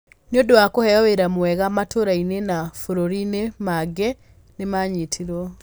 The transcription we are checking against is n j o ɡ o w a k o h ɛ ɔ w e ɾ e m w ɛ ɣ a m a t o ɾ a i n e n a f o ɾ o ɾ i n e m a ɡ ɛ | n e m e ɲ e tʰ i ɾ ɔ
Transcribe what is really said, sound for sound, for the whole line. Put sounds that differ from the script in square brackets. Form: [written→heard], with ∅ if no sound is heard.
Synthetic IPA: n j o [ɡ→d] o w a k o h ɛ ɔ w e ɾ [e→a] m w ɛ ɣ a m a t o ɾ a i n e n a f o ɾ o ɾ i n e m a ɡ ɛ | n e m [e→a] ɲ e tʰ i ɾ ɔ